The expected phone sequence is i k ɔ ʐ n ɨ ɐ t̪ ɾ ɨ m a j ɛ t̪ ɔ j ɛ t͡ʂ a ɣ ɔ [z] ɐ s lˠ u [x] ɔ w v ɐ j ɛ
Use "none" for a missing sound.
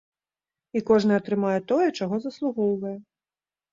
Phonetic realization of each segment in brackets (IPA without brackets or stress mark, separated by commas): z, ɣ